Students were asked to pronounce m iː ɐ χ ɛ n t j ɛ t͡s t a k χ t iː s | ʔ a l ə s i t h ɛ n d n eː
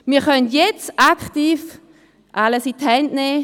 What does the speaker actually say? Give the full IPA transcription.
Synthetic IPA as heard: m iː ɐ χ œ n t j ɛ t͡s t a k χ t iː f | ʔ a l ə s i t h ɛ n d n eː